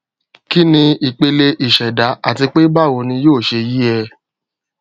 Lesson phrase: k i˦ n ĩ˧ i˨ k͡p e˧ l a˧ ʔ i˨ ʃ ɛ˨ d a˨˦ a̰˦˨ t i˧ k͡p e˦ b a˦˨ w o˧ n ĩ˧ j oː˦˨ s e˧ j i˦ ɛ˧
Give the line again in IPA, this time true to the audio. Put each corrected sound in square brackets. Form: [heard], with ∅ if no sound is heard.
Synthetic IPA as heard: k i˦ n ĩ˧ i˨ k͡p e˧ l [e˧] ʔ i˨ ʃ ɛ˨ d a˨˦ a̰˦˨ t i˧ k͡p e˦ b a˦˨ w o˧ n ĩ˧ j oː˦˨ [ʃ] e˧ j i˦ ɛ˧